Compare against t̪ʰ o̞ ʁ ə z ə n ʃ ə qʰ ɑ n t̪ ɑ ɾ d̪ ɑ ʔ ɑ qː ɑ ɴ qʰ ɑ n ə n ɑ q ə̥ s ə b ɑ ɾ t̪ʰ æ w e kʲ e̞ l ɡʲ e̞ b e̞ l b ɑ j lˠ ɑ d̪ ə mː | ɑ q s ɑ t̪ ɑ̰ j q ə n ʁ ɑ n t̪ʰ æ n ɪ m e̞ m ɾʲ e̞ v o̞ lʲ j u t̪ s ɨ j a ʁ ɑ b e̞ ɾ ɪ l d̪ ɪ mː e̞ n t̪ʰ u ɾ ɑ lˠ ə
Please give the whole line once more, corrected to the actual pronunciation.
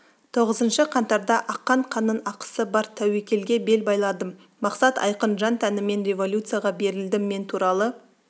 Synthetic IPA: t̪ʰ o̞ ʁ ə z ə n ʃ ə qʰ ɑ n t̪ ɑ ɾ d̪ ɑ ʔ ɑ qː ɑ ɴ qʰ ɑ n ə n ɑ q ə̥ s ə b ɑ ɾ t̪ʰ æ w e kʲ e̞ l ɡʲ e̞ b e̞ l b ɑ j lˠ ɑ d̪ ə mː | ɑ q s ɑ t̪ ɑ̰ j q ə n ʒ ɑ n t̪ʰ æ n ɪ m e̞ n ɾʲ e̞ v o̞ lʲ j u t̪ s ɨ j a ʁ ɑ b e̞ ɾ ɪ l d̪ ɪ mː e̞ n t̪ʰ u ɾ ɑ lˠ ə